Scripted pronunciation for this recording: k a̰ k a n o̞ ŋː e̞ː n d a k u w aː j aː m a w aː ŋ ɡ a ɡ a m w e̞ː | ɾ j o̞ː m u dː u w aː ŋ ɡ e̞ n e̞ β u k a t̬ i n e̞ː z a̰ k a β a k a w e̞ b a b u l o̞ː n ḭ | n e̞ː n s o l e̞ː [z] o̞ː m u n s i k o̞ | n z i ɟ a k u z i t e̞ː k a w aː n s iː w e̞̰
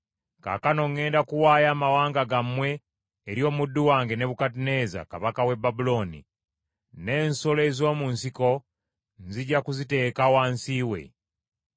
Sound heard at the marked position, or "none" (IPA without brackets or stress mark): z